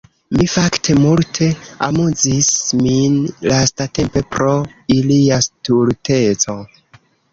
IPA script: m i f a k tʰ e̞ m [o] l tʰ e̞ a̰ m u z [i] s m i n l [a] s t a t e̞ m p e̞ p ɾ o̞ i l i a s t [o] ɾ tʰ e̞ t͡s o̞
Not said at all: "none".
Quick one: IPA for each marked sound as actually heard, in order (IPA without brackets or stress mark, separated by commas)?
u, i, a, u